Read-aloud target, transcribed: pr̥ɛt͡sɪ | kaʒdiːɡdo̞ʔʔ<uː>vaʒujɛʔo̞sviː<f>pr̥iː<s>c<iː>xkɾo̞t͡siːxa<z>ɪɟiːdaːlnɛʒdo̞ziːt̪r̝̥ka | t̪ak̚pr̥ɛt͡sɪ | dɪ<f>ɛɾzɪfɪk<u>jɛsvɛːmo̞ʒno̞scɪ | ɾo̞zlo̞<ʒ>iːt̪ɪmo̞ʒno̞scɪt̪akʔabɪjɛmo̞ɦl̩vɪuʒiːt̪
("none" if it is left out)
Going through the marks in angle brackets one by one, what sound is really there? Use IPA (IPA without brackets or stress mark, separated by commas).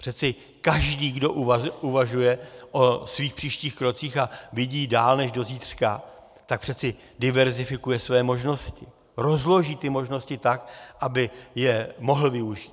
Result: u, x, ʃ, iː, v, v, u, ʒ